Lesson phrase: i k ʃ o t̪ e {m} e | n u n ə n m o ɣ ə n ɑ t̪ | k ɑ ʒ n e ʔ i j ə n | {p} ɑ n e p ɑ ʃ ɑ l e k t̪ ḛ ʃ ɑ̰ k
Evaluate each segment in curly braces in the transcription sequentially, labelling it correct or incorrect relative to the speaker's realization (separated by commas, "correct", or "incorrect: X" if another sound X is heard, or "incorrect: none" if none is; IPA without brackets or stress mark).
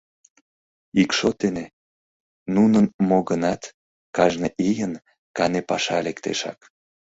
incorrect: n, incorrect: k